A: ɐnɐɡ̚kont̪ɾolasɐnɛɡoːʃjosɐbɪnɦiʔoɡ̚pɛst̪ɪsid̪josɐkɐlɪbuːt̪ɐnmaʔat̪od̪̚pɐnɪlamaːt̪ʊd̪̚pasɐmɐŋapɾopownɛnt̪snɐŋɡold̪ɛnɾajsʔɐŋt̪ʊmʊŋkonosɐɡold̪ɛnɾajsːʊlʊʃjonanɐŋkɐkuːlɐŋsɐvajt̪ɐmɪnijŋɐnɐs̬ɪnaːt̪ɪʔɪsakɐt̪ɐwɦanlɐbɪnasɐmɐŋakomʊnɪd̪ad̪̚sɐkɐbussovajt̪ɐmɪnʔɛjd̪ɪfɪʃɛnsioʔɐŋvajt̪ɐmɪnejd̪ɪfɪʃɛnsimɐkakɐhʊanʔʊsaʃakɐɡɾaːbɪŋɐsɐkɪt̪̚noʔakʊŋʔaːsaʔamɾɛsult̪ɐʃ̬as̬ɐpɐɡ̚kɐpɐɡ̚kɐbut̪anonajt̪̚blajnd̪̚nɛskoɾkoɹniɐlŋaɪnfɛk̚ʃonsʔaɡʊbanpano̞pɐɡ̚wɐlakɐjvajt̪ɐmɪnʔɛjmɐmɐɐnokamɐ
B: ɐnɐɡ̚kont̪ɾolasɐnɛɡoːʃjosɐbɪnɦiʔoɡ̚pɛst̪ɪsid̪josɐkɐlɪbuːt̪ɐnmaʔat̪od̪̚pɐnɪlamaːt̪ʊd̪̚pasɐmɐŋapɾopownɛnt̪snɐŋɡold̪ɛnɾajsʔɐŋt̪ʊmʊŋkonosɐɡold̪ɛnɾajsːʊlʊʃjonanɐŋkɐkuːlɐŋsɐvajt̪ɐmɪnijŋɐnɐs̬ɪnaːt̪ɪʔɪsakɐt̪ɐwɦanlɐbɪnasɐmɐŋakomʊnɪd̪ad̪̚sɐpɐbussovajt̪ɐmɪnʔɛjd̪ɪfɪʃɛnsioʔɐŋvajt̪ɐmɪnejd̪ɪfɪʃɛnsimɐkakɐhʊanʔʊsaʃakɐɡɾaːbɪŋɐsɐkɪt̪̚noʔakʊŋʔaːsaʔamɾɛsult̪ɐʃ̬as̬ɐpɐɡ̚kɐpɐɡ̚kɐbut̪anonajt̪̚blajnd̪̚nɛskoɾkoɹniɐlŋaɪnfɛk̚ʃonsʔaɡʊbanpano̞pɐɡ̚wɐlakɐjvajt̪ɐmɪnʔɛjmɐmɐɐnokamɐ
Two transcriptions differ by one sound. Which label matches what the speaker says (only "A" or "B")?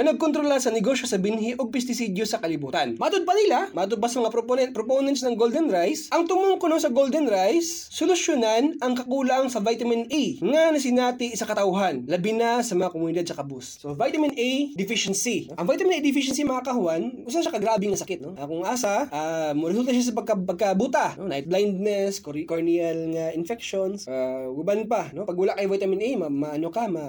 A